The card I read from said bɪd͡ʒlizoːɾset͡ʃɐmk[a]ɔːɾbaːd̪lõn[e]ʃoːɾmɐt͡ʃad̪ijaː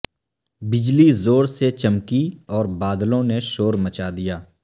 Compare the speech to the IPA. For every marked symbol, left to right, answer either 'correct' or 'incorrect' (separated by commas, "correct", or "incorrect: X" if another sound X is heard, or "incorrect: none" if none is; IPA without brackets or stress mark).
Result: incorrect: i, correct